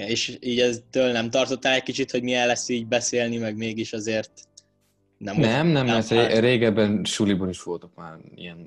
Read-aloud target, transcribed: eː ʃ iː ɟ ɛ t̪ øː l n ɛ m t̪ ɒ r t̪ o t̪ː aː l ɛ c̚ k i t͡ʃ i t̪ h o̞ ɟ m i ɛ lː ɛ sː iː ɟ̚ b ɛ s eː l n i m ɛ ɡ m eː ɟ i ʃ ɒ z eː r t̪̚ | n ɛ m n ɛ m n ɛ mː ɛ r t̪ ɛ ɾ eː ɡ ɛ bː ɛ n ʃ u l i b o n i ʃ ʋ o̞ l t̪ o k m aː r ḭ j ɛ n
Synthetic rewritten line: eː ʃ iː ɟ ɛ t̪ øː l n ɛ m t̪ ɒ r t̪ o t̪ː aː l ɛ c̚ k i t͡ʃ i t̪ h o̞ ɟ m i ɛ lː ɛ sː iː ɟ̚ b ɛ s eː l n i m ɛ ɡ m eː ɡ i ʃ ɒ z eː r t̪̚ | n ɛ m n ɛ m n ɛ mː ɛ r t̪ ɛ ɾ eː ɡ ɛ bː ɛ n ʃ u l i b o n i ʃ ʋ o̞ l t̪ o k m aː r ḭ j ɛ n